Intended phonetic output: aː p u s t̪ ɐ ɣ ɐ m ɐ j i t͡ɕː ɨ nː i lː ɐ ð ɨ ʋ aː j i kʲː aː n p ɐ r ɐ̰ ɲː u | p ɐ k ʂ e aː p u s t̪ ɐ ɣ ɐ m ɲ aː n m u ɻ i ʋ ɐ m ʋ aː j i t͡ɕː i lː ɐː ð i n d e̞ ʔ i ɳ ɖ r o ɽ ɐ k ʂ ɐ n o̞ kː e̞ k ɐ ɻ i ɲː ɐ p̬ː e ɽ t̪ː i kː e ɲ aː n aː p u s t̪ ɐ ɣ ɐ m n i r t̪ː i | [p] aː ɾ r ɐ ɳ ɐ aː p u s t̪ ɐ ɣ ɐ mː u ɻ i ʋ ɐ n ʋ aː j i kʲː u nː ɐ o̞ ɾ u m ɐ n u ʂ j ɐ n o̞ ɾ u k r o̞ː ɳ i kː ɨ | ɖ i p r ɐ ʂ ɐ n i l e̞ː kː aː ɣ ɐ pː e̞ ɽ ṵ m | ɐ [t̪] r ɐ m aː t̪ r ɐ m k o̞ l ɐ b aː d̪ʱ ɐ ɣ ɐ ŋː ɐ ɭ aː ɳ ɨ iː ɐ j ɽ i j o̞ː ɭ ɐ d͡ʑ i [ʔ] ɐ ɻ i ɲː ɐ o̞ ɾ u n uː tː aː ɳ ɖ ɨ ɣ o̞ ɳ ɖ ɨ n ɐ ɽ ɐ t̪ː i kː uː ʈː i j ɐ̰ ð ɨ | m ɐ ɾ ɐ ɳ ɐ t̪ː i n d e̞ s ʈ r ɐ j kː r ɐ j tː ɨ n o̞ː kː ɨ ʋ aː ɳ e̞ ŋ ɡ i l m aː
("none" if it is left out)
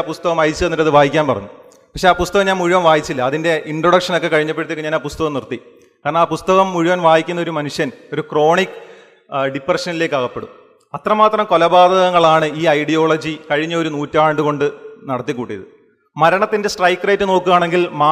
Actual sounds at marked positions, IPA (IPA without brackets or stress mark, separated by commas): k, t̪, k